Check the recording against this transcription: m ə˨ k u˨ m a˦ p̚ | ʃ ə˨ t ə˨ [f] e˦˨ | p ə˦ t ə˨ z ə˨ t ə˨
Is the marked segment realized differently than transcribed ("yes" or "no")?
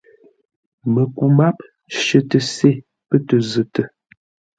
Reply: yes